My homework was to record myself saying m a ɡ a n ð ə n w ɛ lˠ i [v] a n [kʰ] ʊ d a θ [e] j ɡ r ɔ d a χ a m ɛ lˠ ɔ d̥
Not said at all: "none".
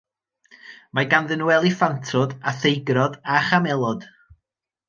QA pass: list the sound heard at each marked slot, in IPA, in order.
f, tʰ, e

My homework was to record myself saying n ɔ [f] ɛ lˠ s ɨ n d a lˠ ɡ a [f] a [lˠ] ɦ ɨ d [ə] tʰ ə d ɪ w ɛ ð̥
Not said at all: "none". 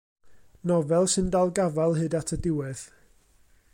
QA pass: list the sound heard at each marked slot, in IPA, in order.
v, v, lˠ, a

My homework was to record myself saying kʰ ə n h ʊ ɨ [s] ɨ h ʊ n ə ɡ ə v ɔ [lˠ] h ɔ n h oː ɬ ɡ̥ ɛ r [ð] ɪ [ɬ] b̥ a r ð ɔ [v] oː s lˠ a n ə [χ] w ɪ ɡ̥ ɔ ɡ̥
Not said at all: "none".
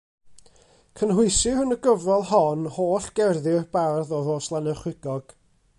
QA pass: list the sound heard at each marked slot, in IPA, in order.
s, lˠ, ð, none, ð, χ

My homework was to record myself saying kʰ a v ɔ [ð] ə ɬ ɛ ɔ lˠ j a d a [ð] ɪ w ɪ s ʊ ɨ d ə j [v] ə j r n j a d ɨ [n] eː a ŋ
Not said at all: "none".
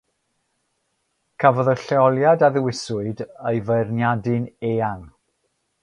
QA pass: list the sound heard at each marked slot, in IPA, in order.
ð, ð, v, n

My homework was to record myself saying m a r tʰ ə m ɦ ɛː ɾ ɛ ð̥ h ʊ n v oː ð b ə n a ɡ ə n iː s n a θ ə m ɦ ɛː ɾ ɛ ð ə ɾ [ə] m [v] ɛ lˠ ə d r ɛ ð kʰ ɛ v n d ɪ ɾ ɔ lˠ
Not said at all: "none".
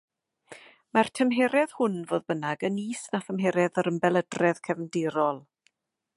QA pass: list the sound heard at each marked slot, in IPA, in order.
ə, b

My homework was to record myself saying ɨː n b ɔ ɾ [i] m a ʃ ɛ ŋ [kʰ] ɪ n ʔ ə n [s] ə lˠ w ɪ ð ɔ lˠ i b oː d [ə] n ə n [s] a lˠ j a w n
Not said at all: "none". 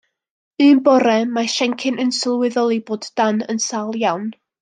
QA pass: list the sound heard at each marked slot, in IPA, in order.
ɛ, kʰ, s, a, s

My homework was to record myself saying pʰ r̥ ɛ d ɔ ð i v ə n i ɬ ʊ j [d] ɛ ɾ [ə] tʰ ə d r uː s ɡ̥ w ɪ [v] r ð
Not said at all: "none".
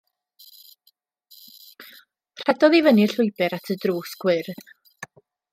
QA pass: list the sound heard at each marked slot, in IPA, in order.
b, a, none

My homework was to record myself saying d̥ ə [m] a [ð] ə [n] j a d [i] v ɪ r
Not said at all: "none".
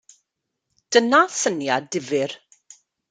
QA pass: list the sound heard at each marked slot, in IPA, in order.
n, θ, n, ɪ

